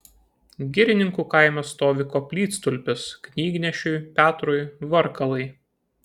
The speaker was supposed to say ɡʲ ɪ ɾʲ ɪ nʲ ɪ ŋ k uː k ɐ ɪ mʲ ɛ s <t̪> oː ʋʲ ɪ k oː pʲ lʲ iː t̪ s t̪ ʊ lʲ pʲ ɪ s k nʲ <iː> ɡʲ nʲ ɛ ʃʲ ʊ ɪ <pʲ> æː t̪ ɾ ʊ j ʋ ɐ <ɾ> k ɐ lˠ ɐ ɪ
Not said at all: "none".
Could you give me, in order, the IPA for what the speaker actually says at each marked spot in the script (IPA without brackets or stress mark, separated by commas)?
t̪, iː, pʲ, ɾ